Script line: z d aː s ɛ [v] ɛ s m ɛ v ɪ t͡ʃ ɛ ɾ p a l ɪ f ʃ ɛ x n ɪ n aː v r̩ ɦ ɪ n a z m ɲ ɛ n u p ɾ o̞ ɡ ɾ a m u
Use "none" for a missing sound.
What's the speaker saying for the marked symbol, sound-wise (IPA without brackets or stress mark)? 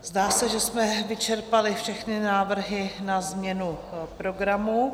ʒ